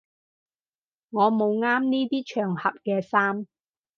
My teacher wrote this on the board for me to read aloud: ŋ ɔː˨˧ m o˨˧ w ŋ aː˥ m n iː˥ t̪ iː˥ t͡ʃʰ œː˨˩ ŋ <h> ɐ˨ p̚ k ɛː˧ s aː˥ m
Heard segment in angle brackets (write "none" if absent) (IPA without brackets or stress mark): h